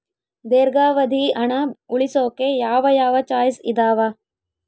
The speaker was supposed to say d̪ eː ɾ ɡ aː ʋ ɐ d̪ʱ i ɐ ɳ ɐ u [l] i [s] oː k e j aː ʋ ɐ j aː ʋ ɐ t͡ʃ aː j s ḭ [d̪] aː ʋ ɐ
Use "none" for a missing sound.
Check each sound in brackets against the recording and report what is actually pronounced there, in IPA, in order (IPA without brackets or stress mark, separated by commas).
ɭ, s, d̪